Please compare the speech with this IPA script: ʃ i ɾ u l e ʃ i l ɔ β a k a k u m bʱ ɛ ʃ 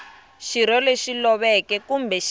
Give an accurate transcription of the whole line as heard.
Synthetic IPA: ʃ i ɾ ɔ l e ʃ i l ɔ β ɛ k ɛ k u m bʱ ɛ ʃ